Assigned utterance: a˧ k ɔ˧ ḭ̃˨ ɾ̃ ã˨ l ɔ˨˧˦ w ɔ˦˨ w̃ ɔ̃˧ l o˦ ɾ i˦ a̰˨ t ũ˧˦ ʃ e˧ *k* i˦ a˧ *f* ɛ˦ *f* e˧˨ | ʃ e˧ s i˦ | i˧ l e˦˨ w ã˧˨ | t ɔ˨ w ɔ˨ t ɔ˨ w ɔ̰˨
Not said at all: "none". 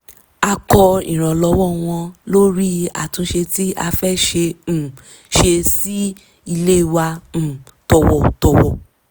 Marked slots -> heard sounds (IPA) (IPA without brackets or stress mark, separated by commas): t, f, ʃ